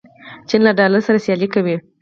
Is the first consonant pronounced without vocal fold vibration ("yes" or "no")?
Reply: yes